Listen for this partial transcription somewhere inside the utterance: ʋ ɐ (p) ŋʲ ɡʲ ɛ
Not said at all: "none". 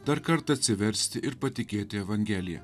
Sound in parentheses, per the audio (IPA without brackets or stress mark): none